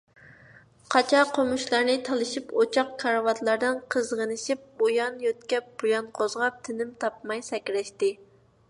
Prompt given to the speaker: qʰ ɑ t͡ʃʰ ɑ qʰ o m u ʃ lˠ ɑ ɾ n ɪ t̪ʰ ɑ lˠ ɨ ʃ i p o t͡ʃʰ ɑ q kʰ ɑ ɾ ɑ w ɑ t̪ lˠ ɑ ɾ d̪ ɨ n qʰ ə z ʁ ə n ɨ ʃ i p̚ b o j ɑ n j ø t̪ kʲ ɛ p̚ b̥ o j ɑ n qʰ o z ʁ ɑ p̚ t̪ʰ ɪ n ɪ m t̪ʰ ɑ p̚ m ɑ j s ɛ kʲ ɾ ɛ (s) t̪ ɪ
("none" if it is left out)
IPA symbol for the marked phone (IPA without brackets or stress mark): ʃ